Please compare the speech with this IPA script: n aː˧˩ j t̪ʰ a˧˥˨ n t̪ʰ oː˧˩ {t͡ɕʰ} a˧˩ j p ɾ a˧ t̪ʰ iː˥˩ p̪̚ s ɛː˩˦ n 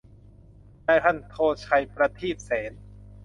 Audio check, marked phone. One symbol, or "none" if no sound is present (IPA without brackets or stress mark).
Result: t͡ɕʰ